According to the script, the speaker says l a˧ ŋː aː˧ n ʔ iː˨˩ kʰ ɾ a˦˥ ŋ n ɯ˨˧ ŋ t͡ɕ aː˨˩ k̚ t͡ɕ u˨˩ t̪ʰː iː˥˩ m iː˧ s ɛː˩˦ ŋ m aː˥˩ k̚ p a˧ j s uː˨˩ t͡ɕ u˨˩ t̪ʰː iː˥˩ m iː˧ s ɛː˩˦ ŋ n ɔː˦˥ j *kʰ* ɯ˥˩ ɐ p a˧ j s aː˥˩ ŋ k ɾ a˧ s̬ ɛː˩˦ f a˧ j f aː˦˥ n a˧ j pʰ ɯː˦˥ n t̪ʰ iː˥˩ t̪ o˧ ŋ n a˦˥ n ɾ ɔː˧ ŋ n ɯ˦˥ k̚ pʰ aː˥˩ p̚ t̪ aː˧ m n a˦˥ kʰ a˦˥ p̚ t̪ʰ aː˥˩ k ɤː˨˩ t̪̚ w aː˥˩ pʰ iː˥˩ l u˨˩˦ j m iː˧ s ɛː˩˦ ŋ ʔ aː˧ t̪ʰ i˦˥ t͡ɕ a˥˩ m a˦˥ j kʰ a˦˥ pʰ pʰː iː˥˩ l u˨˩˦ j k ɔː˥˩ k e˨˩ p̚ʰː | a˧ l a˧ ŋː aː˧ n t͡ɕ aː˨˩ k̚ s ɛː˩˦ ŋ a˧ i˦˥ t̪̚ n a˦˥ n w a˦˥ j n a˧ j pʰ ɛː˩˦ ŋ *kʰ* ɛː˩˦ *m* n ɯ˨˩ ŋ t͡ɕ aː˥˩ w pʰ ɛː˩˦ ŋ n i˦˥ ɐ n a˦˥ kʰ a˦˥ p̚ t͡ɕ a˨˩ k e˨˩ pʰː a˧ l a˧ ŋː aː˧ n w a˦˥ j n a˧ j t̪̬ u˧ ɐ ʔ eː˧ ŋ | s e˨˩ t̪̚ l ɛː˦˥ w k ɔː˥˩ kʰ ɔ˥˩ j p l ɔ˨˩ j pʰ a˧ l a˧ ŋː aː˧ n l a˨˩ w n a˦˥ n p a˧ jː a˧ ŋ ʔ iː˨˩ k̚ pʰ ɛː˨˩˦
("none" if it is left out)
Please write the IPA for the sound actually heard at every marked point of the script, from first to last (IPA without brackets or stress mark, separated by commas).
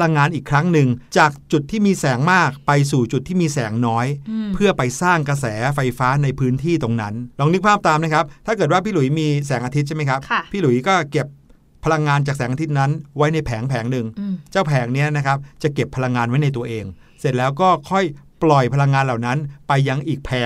pʰ, pʰ, ŋ